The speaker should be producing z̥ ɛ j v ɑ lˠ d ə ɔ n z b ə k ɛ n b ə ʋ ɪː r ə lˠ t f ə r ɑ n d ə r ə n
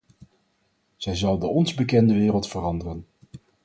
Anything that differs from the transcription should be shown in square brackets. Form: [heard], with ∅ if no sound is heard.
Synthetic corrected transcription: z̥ ɛ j [z] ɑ lˠ d ə ɔ n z b ə k ɛ n [d] ə ʋ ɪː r ə lˠ t f ə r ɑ n d ə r ə n

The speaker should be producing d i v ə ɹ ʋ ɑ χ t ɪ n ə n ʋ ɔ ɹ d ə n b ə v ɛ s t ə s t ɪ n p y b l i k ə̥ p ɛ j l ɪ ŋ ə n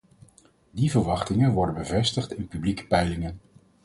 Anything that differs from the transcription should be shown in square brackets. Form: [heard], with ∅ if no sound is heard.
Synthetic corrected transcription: d i v ə ɹ ʋ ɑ χ t ɪ [ŋ] ə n ʋ ɔ ɹ d ə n b ə v ɛ s t ə [χ] t ɪ n p y b l i k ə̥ p ɛ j l ɪ ŋ ə n

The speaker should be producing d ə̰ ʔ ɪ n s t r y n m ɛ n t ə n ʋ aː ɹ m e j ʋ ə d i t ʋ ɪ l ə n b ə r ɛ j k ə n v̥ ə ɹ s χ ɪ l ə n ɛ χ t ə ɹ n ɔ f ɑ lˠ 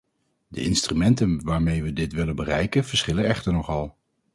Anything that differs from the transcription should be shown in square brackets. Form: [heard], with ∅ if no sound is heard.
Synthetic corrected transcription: d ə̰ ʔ ɪ n s t r y [∅] m ɛ n t ə n ʋ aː ɹ m e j ʋ ə d [ɪ] t ʋ ɪ l ə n b ə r ɛ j k ə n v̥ ə ɹ s χ ɪ l ə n ɛ χ t ə ɹ n ɔ [χ] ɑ lˠ

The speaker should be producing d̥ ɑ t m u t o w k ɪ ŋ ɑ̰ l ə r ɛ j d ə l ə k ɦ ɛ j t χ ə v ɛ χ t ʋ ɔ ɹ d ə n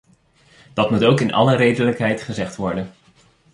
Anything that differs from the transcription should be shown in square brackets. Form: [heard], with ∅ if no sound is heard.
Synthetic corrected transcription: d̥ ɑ t m u t o w k ɪ [n] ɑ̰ l ə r [e] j d ə l ə k ɦ ɛ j t χ ə [z] ɛ χ t ʋ ɔ ɹ d ə n

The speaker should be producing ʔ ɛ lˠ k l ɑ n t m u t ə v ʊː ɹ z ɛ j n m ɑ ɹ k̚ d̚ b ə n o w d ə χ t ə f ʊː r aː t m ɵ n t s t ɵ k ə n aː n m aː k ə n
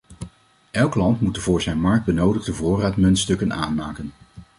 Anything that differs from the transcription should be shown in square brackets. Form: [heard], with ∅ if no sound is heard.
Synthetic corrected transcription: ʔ ɛ lˠ k l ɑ n t m u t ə v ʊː ɹ z ɛ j n m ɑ ɹ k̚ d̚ b ə n o w d ə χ [d] ə [v] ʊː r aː t m ɵ n t s t ɵ k ə n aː n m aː k ə n

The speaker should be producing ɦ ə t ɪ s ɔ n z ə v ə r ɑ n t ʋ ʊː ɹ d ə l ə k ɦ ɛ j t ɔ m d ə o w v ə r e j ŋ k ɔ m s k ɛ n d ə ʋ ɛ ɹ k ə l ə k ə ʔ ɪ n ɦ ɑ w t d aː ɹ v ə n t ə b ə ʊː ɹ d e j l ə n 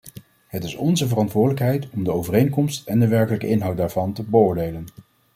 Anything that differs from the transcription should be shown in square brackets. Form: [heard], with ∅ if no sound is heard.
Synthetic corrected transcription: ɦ ə t ɪ s ɔ n z ə v ə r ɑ n t ʋ ʊː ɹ d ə l ə k ɦ ɛ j t ɔ m d ə o w v ə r e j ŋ k ɔ m s [t] ɛ n d ə ʋ ɛ ɹ k ə l ə k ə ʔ ɪ n ɦ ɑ w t d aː ɹ v [ɑ] n t ə b ə ʊː ɹ d e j l ə n

